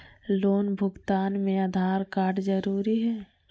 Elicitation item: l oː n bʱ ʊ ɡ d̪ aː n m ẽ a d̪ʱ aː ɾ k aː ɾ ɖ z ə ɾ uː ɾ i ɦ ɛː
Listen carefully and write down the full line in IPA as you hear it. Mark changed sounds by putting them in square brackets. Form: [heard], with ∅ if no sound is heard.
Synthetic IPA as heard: l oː n bʱ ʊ ɡ [t̪] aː n m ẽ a d̪ʱ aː ɾ k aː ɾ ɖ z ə ɾ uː ɾ i ɦ ɛː